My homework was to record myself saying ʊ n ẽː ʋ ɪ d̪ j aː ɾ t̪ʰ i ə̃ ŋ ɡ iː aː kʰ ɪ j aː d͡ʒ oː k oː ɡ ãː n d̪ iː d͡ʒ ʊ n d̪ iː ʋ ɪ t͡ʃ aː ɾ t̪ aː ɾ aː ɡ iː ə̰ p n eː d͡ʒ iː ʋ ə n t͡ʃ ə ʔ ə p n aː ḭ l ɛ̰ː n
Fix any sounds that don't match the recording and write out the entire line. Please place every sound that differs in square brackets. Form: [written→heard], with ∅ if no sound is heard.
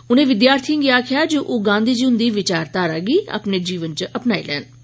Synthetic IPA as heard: ʊ n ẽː ʋ ɪ d̪ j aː ɾ t̪ʰ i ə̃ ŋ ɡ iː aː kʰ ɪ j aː d͡ʒ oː [k→ʔ] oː ɡ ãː n d̪ iː d͡ʒ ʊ n d̪ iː ʋ ɪ t͡ʃ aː ɾ t̪ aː ɾ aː ɡ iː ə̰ p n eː d͡ʒ iː ʋ ə n t͡ʃ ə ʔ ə p n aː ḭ l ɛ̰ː n